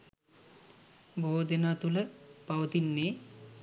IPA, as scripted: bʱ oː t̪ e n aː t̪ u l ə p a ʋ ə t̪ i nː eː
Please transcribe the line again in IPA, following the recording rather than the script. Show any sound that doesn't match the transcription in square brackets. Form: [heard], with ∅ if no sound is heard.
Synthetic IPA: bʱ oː [d̪] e n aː t̪ u l ə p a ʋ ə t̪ i nː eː